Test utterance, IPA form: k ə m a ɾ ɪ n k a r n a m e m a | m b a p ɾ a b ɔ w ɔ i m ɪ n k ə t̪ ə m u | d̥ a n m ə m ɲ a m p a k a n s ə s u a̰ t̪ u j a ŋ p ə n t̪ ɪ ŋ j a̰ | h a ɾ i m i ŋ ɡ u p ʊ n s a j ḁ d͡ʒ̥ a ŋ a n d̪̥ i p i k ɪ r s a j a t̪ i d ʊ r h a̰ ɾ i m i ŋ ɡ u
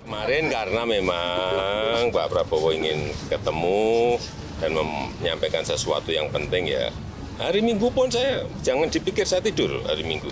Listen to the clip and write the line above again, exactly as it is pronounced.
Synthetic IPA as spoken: k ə m a ɾ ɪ n k a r n a m e m a | ŋ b a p ɾ a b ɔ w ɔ i ŋ ɪ n k ə t̪ ə m u | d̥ a n m ə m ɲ a m p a k a n s ə s u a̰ t̪ u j a ŋ p ə n t̪ ɪ ŋ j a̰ | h a ɾ i m i ŋ ɡ u p ʊ n s a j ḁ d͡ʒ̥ a ŋ a n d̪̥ i p i k ɪ r s a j a t̪ i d ʊ r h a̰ ɾ i m i ŋ ɡ u